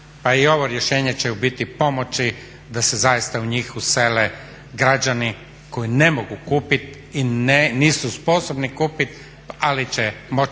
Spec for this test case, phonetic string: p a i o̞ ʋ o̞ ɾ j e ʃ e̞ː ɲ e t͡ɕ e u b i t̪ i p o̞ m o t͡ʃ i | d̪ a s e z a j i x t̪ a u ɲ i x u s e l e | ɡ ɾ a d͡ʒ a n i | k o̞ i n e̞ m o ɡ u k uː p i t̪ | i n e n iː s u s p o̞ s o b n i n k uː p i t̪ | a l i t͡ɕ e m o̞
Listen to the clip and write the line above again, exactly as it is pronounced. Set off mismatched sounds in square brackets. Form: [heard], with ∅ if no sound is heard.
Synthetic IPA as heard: p a i o̞ ʋ o̞ ɾ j e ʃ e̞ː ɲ e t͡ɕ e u b i t̪ i p o̞ m o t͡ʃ i | d̪ a s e z a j i [s] t̪ a u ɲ i x u s e l e | ɡ ɾ a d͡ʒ a n i | k o̞ i n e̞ m o ɡ u k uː p i t̪ | i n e n iː s u s p o̞ s o b n i [∅] k uː p i t̪ | a l i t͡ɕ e m o̞